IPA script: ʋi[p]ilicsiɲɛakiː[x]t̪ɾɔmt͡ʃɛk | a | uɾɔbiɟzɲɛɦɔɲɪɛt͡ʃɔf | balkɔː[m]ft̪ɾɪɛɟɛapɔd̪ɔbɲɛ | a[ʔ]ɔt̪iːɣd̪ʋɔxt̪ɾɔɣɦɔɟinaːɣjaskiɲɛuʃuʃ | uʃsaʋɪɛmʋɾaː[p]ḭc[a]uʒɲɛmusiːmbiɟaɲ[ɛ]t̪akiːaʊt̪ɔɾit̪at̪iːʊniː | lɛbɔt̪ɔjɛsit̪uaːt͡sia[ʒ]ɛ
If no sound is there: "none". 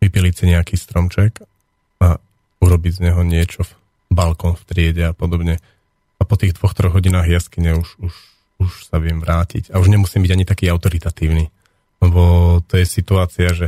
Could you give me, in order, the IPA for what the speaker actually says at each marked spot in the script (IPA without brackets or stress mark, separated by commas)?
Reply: p, s, n, p, c, a, i, ʒ